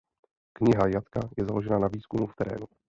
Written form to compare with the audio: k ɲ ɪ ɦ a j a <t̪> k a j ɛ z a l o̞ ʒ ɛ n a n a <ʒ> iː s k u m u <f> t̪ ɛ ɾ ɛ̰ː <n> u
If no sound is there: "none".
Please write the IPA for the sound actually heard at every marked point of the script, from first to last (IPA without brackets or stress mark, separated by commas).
t̪, v, f, n